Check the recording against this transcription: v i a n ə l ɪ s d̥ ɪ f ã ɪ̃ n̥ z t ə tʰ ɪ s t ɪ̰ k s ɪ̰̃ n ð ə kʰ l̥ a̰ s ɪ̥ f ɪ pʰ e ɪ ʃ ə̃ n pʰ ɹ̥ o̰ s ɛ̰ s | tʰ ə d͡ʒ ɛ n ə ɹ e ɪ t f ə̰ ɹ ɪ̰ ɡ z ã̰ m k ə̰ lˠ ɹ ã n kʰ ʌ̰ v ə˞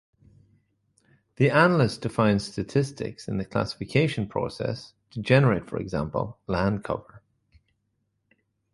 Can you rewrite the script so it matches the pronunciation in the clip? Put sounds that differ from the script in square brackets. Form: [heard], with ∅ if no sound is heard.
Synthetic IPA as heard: [ð] i a n ə l ɪ s d̥ ɪ f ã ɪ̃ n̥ [s] t ə tʰ ɪ s t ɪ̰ k s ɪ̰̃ n ð ə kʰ l̥ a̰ s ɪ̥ f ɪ [kʰ] e ɪ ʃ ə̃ n pʰ ɹ̥ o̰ s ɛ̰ s | tʰ ə d͡ʒ ɛ n ə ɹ e ɪ t f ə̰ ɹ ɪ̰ ɡ z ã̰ m [p] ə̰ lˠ [l] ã n kʰ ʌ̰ v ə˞

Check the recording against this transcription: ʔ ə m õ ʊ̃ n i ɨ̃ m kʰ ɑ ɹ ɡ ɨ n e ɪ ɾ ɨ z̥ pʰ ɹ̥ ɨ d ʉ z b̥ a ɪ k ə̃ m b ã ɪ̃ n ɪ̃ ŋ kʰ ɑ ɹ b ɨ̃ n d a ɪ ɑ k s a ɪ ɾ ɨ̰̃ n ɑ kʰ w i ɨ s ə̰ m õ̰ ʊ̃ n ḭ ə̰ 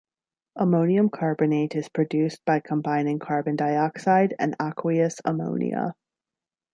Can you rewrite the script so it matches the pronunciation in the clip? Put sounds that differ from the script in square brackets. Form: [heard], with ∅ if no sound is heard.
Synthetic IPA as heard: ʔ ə m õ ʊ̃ n i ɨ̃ m kʰ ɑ ɹ [b] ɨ n e ɪ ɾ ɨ z̥ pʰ ɹ̥ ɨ d ʉ [s] b̥ a ɪ [kʰ] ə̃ m b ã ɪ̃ n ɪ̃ ŋ kʰ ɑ ɹ b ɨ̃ n d a ɪ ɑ k s a ɪ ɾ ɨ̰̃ n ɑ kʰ w i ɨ s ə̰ m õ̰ ʊ̃ n ḭ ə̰

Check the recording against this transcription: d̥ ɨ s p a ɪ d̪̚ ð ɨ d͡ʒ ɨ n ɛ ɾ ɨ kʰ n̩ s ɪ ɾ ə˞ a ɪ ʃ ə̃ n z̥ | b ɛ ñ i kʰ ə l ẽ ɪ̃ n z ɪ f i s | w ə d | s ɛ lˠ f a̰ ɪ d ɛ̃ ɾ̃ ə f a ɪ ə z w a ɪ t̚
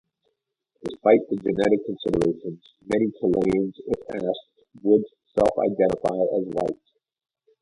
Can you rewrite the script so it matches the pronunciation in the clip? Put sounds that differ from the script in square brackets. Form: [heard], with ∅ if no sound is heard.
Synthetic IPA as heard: d̥ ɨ s p a ɪ [t̪̚] ð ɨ d͡ʒ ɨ n ɛ ɾ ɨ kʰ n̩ s ɪ ɾ ə˞ [e] ɪ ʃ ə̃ n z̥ | [m] ɛ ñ i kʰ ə l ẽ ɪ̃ n z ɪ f [æ] s | w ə d | s ɛ lˠ f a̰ ɪ d ɛ̃ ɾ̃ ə f a ɪ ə z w a ɪ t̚

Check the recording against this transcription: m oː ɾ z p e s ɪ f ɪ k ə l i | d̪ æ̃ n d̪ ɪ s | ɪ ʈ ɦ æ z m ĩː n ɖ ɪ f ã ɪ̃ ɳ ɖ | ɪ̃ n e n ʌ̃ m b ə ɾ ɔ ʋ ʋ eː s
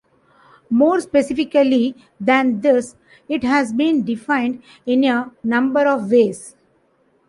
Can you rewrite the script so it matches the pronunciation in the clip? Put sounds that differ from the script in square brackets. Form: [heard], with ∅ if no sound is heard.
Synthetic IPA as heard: m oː ɾ [s] p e s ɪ f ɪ k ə l i | d̪ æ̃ n d̪ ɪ s | ɪ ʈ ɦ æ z [b] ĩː n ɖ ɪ f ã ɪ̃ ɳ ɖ | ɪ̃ n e n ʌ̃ m b ə ɾ ɔ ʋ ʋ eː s

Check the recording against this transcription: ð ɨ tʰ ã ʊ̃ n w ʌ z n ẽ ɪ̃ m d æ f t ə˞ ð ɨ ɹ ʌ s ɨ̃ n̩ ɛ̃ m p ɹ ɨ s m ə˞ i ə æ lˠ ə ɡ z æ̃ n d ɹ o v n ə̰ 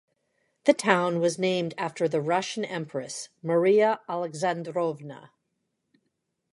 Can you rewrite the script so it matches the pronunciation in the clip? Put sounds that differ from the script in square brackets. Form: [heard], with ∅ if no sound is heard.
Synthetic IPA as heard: ð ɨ tʰ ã ʊ̃ n w ʌ z n ẽ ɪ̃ m d æ f t ə˞ ð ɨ ɹ ʌ [ʃ] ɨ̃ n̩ ɛ̃ m p ɹ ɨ s m ə˞ i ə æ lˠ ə ɡ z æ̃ n d ɹ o v n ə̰

